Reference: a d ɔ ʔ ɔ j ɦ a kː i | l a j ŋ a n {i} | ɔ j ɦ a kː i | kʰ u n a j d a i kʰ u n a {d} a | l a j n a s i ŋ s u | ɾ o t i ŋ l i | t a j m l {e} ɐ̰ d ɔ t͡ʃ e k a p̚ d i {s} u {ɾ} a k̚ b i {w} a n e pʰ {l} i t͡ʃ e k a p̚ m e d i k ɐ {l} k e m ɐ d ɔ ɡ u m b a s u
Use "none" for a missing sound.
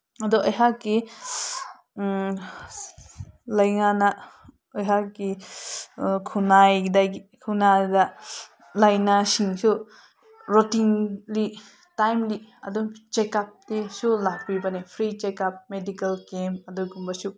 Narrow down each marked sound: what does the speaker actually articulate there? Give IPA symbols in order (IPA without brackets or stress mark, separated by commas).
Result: a, d, i, s, l, b, ɾ, l